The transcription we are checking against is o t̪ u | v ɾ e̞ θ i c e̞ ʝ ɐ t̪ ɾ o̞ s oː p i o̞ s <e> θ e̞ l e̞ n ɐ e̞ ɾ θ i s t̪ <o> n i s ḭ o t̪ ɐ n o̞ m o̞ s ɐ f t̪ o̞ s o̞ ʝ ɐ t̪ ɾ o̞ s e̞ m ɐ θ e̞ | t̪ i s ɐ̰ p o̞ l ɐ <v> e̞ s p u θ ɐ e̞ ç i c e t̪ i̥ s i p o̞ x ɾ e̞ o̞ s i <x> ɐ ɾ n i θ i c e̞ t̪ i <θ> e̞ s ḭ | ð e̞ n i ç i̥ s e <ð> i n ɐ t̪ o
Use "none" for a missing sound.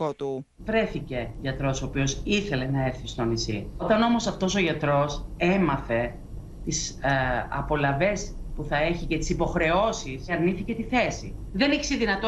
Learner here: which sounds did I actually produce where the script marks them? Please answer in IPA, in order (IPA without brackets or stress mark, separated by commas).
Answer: i, o, v, s, θ, ð